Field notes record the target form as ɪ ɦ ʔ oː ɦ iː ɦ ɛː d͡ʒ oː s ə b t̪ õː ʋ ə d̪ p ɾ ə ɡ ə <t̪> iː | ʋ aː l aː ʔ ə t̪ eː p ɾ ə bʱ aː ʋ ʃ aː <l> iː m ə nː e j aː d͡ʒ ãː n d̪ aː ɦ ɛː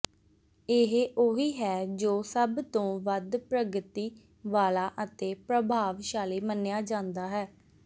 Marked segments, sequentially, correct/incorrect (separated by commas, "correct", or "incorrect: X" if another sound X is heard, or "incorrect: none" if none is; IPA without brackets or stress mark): correct, correct